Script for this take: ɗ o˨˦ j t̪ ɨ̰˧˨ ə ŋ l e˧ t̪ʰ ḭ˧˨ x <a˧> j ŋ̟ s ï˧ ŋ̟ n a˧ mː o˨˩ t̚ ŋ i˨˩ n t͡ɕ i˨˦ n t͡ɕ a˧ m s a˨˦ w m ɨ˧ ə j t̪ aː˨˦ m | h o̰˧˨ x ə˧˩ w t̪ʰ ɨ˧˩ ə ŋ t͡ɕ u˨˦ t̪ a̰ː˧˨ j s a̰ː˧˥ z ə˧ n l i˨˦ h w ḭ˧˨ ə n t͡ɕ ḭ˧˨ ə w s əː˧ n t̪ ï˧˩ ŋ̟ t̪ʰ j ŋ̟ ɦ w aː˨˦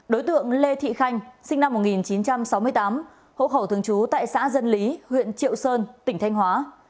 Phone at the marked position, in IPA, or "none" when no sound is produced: a˧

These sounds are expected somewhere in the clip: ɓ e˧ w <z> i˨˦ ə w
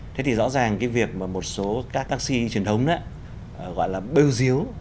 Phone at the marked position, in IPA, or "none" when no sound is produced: z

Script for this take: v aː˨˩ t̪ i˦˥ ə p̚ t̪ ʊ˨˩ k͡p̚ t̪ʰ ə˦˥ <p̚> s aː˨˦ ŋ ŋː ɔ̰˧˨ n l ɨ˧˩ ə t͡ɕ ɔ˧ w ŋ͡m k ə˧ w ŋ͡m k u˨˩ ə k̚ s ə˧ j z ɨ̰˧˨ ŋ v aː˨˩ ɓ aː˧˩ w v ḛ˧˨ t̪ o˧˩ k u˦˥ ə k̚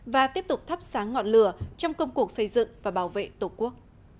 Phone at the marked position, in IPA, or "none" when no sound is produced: p̚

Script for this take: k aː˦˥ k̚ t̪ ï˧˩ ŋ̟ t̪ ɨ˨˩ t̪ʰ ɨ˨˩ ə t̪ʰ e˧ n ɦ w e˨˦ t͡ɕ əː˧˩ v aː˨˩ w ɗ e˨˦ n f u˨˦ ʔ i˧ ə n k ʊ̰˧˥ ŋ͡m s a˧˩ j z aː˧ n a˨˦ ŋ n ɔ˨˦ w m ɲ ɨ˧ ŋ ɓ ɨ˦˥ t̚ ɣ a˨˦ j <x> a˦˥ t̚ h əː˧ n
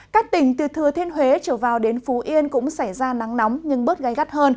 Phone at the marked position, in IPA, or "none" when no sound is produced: ɣ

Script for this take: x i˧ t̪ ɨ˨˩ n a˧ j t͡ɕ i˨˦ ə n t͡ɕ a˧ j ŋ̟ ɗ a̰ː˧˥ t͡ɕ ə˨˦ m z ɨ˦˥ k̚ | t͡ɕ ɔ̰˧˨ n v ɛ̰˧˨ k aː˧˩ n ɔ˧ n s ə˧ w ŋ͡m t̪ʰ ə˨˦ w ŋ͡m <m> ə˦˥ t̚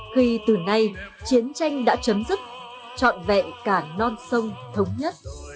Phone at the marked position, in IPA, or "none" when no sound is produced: ɲ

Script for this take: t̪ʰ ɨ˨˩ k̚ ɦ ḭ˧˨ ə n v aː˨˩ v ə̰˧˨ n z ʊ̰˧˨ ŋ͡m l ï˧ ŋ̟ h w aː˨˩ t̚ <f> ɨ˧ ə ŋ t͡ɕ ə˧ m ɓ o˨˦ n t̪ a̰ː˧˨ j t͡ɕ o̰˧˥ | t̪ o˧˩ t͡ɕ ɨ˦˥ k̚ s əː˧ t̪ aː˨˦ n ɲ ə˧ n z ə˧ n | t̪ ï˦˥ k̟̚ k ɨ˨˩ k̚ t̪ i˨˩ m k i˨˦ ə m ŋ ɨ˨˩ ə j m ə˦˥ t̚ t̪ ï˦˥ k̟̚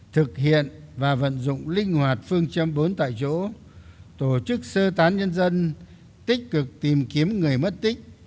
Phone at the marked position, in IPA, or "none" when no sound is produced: f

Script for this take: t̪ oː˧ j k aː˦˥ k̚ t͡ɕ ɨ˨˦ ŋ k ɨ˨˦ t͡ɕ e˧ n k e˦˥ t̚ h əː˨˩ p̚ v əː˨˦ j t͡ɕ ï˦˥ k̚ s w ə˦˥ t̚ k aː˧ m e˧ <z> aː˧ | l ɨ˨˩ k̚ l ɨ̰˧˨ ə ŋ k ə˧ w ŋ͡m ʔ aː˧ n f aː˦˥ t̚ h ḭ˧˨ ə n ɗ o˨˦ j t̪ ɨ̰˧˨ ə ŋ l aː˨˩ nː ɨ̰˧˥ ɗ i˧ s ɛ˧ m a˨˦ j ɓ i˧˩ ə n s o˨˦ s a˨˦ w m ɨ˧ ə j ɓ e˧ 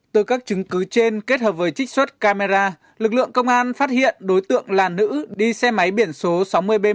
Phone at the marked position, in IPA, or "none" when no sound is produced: z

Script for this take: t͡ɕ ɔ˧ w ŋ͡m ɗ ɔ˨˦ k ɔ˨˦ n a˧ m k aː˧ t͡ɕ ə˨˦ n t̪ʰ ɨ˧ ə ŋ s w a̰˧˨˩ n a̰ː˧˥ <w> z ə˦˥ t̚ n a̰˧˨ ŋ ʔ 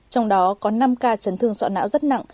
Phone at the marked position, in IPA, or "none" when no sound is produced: w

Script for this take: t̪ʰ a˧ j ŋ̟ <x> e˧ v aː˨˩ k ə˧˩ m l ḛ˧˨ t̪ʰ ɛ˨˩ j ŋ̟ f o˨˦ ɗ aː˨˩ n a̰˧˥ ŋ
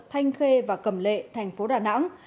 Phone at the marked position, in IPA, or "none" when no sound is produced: x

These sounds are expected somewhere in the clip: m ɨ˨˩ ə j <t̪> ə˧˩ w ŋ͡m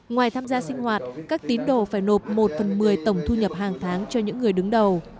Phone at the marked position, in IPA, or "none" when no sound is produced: t̪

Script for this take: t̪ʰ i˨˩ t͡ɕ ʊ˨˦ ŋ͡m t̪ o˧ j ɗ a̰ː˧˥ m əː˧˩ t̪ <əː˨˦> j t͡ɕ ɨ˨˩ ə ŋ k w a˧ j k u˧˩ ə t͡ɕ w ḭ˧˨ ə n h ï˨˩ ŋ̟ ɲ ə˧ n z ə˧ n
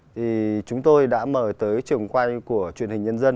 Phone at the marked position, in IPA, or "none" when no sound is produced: əː˨˦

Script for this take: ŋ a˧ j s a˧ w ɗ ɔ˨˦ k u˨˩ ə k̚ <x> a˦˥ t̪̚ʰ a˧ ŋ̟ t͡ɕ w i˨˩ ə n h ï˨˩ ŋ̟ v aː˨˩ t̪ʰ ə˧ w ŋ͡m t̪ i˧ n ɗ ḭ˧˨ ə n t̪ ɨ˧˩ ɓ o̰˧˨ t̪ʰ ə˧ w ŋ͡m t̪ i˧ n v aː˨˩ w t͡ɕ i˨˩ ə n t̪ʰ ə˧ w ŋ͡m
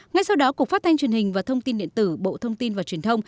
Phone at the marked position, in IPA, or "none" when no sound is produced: f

